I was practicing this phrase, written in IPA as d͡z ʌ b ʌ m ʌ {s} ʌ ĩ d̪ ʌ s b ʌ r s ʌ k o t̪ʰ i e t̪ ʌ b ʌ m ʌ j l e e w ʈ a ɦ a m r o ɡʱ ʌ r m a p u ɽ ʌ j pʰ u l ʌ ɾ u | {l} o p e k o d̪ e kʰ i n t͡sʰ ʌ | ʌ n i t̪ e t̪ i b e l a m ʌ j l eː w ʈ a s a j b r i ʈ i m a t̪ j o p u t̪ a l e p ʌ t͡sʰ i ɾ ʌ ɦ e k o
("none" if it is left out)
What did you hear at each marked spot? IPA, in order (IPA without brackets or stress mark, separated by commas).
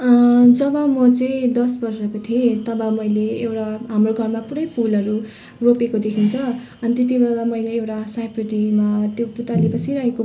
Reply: t͡s, r